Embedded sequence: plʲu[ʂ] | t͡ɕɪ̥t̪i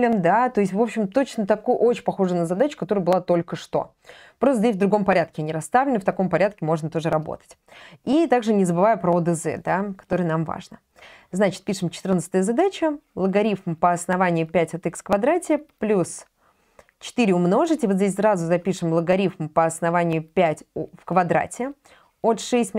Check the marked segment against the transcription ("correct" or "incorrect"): incorrect